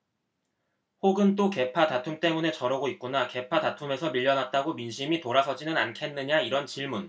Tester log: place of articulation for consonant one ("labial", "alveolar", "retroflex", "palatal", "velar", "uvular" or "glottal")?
glottal